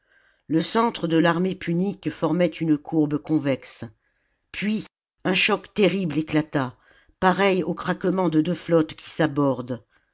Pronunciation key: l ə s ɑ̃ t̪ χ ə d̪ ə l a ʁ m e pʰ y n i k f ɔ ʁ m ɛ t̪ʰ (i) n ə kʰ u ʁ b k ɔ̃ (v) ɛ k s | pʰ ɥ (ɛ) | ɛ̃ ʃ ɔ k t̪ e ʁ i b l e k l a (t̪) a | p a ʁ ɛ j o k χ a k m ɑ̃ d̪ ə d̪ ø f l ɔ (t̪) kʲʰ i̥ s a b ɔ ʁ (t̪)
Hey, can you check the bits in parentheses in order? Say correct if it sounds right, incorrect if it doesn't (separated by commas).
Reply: incorrect, correct, incorrect, correct, correct, incorrect